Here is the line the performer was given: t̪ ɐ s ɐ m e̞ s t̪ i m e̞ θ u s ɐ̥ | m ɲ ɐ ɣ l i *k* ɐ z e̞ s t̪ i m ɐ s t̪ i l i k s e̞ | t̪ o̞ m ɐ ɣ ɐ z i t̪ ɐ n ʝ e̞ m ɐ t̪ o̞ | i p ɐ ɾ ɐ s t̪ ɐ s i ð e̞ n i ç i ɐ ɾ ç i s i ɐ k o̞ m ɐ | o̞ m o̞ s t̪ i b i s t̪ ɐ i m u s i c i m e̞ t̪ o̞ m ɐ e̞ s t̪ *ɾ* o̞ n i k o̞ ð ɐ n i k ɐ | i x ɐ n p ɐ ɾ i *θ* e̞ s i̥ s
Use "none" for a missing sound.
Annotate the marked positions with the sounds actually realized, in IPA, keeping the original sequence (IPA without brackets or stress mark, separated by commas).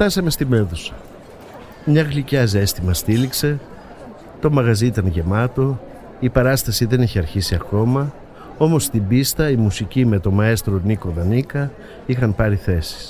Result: c, ɾ, θ